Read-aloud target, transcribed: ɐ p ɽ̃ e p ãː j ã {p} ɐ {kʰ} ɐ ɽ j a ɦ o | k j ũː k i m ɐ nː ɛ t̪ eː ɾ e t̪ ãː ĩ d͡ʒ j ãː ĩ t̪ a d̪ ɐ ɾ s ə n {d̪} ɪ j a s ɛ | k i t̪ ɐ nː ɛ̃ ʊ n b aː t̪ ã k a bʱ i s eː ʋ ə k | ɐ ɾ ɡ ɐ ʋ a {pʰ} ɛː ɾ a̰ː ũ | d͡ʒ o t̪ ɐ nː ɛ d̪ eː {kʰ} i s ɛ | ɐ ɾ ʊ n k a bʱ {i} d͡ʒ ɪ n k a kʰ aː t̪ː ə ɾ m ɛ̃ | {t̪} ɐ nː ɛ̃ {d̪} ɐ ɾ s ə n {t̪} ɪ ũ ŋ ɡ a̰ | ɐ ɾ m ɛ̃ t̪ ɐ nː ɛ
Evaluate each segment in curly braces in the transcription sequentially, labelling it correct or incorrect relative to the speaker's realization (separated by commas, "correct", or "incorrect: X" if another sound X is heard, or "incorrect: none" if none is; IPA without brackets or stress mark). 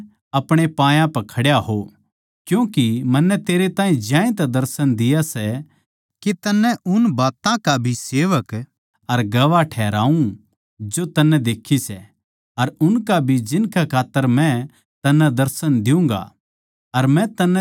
correct, correct, correct, incorrect: ʈʰ, correct, correct, correct, correct, incorrect: d̪